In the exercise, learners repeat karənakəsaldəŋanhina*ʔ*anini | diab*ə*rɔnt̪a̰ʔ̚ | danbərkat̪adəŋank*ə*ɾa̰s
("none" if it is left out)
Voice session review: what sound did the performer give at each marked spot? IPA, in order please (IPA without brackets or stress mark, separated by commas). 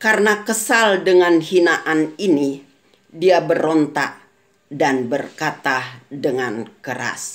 ʔ, ə, ə